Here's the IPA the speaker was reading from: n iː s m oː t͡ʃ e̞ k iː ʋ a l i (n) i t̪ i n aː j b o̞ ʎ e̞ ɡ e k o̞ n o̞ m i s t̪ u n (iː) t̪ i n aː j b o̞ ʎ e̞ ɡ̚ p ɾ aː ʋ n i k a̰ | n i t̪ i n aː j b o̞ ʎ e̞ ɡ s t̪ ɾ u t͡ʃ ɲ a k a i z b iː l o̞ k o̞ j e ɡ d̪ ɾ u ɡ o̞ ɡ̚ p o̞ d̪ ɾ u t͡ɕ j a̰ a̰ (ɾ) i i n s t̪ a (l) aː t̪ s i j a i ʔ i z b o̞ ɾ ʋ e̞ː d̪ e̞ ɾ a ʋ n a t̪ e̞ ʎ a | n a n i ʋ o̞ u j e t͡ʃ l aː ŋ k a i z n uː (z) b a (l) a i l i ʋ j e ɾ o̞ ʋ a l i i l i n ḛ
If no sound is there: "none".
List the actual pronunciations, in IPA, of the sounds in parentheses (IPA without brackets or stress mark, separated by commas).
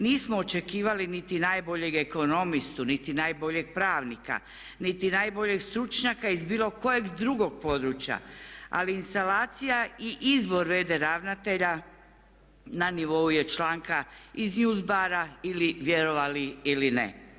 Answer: n, i, l, l, z, ɾ